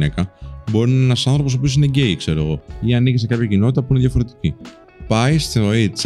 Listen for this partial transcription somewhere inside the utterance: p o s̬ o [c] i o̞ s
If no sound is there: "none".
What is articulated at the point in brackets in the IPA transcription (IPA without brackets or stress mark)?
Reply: p